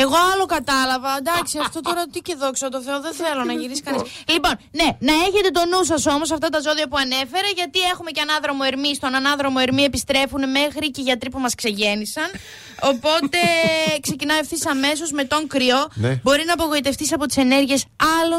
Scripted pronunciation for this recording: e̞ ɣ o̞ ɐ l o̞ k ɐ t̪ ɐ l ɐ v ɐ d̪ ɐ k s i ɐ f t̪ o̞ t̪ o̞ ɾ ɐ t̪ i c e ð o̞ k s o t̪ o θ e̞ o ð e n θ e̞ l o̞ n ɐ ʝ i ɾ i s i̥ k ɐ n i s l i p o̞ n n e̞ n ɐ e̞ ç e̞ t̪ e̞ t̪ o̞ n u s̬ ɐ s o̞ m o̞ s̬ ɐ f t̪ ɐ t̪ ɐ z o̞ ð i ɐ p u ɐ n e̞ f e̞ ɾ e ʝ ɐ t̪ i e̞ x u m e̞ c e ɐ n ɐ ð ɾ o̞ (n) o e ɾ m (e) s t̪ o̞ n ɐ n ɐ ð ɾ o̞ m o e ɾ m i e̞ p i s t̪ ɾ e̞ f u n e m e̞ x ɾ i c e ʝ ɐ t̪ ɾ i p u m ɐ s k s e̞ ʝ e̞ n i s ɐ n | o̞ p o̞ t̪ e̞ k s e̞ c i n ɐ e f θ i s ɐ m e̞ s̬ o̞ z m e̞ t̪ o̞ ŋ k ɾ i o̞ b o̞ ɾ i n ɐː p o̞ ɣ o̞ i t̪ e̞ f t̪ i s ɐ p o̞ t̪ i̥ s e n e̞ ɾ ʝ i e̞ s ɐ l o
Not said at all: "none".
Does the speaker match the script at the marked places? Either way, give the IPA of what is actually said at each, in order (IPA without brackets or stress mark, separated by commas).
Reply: m, i